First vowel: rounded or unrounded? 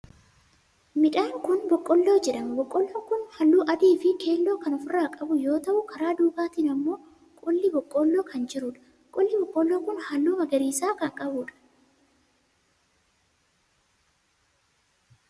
unrounded